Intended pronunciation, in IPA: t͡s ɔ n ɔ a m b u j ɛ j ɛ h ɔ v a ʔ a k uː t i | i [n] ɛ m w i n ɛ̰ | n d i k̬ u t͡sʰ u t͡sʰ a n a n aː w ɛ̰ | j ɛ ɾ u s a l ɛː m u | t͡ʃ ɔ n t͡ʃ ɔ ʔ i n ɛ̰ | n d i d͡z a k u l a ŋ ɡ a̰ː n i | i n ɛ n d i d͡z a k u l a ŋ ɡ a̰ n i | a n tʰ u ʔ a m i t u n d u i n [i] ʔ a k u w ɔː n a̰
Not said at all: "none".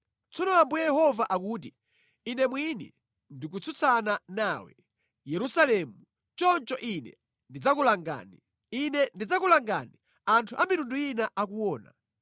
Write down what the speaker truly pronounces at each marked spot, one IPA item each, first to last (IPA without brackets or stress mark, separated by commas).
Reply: n, a